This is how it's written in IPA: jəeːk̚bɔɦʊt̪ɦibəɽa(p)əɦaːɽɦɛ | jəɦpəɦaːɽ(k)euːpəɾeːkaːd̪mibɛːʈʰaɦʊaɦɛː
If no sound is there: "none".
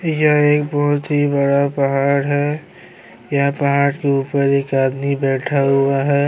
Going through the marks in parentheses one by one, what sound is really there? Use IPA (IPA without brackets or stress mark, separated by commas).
p, k